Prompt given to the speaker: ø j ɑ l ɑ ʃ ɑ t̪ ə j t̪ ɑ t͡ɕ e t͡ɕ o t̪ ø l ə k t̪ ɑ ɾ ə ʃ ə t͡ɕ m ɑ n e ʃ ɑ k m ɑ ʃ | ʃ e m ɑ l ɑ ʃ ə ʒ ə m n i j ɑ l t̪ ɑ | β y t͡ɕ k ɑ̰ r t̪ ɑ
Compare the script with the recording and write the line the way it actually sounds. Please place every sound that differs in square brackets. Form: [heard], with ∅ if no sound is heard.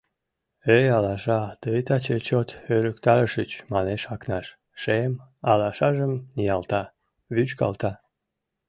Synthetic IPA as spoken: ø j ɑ l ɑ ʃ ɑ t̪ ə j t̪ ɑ t͡ɕ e t͡ɕ o t̪ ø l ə k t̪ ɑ ɾ ə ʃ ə t͡ɕ m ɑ n e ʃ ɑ k [n] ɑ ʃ | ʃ e m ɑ l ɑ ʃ [ɑ] ʒ ə m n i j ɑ l t̪ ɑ | β y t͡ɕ k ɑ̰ [l] t̪ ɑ